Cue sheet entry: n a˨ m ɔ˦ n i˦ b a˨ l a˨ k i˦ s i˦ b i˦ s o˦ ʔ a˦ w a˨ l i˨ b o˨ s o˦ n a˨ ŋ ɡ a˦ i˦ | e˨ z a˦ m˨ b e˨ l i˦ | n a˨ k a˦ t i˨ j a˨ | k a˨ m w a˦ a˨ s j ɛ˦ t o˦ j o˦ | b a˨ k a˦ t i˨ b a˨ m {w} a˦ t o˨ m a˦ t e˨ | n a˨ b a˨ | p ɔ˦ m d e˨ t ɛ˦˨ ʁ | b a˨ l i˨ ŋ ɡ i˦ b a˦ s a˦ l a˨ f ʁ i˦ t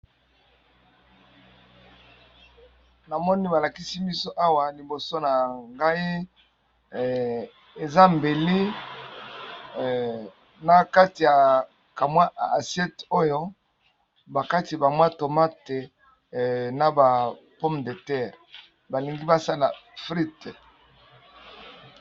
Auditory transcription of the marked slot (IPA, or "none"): w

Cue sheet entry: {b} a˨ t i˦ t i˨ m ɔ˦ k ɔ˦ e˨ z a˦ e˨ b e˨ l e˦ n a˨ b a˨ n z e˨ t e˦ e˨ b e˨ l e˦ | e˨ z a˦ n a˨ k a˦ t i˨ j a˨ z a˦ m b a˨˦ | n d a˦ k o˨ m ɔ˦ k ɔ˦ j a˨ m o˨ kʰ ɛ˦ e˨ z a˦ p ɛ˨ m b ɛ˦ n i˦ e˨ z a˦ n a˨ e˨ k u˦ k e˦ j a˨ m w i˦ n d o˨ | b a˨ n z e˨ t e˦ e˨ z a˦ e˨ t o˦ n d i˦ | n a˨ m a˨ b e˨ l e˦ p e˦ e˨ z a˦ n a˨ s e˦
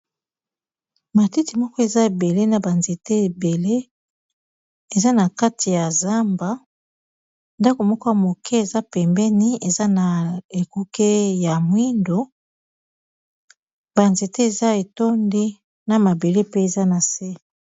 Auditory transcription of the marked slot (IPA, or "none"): m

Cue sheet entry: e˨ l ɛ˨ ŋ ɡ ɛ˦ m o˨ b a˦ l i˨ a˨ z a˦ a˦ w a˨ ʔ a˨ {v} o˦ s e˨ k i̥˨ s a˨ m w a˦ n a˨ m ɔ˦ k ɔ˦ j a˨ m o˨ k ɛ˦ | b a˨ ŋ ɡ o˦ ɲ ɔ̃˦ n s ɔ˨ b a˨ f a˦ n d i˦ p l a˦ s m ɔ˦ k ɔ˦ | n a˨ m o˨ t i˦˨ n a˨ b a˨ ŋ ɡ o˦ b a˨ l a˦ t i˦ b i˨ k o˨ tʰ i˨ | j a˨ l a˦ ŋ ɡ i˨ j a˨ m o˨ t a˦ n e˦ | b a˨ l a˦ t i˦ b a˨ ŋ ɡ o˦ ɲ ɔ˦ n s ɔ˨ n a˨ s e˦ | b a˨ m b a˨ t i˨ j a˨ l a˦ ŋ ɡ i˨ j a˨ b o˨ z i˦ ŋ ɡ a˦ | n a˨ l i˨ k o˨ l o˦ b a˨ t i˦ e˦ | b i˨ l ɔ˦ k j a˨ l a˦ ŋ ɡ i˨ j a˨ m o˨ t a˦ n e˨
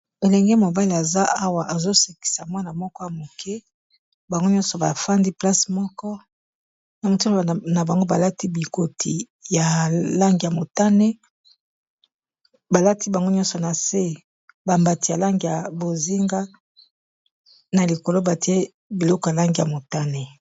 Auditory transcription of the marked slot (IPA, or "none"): z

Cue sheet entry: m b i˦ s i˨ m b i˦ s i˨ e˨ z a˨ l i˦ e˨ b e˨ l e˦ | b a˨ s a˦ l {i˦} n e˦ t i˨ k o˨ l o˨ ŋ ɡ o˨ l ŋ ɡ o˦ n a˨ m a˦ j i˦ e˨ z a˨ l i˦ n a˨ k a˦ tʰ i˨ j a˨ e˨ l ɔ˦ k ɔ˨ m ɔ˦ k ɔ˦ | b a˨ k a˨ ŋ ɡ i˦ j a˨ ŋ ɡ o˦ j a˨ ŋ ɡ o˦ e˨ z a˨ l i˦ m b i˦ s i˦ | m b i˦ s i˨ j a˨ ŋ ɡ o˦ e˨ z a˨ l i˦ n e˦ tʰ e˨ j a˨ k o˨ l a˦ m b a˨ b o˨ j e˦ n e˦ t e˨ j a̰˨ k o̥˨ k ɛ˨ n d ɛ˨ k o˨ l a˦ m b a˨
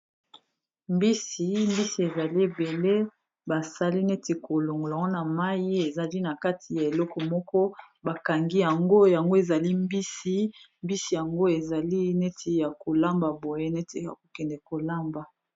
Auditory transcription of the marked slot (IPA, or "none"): i˦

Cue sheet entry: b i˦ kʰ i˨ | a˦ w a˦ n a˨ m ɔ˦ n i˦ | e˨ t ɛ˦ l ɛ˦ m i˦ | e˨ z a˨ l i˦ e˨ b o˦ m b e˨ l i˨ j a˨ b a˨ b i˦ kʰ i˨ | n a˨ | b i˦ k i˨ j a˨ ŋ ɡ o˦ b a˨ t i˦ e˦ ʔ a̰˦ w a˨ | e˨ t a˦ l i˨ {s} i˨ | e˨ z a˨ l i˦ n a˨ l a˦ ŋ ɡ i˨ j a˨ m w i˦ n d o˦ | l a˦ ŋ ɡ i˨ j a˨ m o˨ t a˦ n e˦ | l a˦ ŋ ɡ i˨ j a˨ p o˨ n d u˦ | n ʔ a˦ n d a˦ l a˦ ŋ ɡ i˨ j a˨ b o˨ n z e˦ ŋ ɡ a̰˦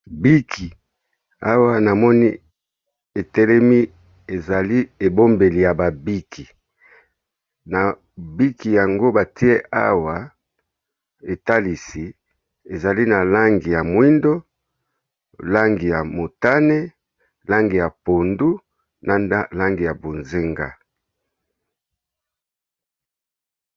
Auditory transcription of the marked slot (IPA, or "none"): s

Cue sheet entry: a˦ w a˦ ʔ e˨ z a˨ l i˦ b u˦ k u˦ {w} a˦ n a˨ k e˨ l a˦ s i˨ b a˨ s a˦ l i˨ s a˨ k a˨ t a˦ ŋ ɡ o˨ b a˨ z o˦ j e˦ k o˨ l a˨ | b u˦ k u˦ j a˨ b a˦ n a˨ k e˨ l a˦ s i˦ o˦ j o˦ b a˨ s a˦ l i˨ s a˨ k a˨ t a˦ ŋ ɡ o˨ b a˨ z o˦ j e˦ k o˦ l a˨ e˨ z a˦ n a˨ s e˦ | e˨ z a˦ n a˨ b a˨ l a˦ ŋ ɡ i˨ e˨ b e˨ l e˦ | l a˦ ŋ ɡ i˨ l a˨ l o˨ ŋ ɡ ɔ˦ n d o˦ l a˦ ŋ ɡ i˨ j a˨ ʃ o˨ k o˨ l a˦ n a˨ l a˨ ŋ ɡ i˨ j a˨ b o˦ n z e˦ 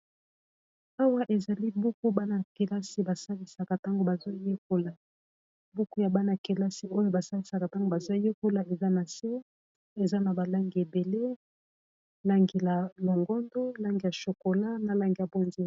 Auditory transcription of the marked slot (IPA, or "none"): b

